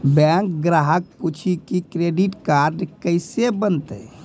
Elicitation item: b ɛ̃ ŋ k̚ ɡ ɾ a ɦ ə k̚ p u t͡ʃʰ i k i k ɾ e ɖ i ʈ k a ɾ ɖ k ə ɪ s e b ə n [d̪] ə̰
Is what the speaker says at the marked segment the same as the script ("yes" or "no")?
no